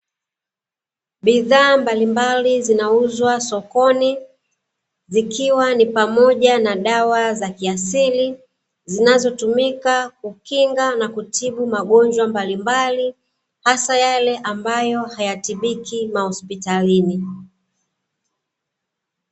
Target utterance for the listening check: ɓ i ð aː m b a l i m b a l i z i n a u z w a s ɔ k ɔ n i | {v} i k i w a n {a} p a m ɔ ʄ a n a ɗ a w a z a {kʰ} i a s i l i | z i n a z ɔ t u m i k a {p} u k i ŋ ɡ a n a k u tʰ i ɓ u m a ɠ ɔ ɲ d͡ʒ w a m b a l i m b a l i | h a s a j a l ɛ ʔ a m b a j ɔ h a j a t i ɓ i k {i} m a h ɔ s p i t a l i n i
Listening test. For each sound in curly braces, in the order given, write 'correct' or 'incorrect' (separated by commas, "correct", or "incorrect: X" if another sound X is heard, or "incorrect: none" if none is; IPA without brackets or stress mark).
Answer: incorrect: z, incorrect: i, incorrect: k, incorrect: k, correct